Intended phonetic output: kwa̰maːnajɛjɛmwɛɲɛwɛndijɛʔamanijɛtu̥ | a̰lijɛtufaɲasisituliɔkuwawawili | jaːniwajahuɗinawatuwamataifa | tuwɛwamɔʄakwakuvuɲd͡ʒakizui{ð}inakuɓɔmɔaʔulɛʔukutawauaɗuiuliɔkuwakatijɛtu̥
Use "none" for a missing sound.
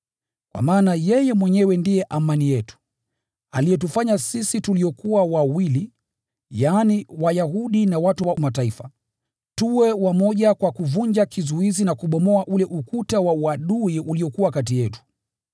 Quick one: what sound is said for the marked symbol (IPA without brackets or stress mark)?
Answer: z